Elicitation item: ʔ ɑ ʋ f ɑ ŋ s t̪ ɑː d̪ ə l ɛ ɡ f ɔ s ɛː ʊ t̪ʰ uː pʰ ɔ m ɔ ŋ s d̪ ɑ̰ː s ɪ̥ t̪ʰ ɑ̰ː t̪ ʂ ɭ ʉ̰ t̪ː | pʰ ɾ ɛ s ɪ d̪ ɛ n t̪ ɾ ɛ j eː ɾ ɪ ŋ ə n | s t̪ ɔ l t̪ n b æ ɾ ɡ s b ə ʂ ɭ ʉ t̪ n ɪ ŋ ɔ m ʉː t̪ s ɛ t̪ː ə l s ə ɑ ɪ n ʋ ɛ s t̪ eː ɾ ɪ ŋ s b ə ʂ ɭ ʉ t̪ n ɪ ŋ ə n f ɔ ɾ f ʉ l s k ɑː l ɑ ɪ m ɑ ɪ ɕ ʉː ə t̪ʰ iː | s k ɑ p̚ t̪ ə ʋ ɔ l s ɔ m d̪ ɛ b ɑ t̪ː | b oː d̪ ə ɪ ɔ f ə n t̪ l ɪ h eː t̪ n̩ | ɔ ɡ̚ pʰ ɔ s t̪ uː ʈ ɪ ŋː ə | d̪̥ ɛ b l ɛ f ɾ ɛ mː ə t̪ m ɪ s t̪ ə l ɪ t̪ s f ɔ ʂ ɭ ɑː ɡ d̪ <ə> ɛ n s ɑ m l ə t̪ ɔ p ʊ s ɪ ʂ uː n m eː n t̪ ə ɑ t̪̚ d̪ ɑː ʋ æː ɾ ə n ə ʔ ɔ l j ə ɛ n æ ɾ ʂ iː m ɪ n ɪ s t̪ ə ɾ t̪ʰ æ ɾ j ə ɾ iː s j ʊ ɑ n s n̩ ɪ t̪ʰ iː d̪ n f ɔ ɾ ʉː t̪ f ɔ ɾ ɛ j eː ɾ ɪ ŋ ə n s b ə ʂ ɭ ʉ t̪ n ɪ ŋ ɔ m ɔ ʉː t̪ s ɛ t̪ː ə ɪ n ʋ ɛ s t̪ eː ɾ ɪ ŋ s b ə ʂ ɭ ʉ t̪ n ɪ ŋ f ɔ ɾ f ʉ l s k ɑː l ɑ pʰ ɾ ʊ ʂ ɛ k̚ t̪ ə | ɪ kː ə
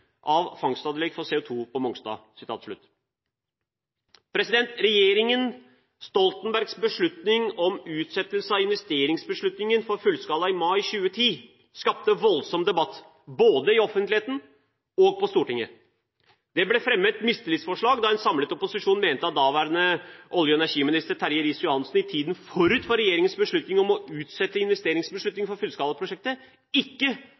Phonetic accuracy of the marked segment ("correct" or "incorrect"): incorrect